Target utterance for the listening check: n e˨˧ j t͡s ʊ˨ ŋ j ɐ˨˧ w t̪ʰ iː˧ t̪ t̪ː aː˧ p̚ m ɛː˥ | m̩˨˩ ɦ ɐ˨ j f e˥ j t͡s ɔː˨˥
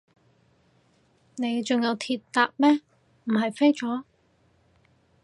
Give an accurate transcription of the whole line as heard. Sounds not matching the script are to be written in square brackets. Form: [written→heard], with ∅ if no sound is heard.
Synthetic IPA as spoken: n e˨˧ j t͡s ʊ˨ ŋ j ɐ˨˧ w t̪ʰ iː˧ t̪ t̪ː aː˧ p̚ m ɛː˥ | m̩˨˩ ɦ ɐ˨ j f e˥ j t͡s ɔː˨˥